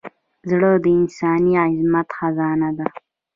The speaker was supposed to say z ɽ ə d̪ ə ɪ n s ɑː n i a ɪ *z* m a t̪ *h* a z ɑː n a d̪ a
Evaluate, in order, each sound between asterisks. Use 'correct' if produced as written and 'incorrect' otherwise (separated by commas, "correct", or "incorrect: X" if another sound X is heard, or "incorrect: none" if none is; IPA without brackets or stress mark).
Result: correct, incorrect: x